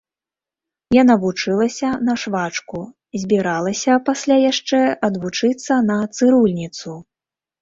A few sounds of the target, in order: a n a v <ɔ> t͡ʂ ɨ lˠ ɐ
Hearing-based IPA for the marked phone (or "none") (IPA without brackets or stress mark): u